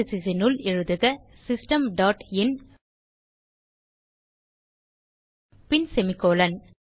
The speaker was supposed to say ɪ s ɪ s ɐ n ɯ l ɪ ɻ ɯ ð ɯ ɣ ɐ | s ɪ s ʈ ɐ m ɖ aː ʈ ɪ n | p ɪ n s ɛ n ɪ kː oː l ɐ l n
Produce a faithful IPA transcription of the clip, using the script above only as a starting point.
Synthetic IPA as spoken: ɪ s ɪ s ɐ n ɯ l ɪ ɻ ɯ ð ɯ ɣ ɐ | s ɪ s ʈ ɐ m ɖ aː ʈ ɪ n | p ɪ n s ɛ m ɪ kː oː l ɐ n